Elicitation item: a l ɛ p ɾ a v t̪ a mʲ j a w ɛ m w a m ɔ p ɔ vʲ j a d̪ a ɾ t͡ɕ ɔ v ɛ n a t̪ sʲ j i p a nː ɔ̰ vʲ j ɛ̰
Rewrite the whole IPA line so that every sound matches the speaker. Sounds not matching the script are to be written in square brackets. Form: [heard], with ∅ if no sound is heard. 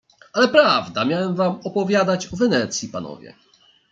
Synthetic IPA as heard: a l ɛ p ɾ a v [d̪] a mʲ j a w ɛ m [v] a m ɔ p ɔ vʲ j a d̪ a [∅] t͡ɕ ɔ v ɛ n [ɛ] t̪ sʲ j i p a [n] ɔ̰ vʲ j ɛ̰